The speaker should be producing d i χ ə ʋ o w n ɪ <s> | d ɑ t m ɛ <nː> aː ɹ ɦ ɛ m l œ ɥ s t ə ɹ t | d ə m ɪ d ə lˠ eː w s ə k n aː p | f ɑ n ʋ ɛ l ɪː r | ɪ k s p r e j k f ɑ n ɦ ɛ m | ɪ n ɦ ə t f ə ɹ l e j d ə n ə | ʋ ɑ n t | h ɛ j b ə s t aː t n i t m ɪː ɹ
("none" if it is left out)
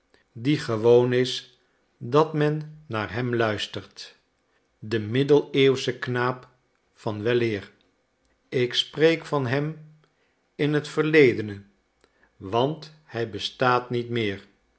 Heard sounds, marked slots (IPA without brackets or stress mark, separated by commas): s, nː